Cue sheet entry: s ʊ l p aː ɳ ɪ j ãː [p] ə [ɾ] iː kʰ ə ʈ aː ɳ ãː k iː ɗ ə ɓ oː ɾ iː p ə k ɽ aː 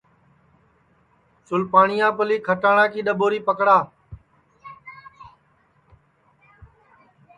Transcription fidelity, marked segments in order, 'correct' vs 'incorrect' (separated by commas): correct, incorrect